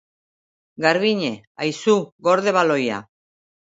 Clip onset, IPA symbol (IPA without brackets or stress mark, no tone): ɡ